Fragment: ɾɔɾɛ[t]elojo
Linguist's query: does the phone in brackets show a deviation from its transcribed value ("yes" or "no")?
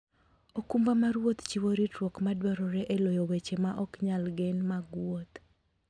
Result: yes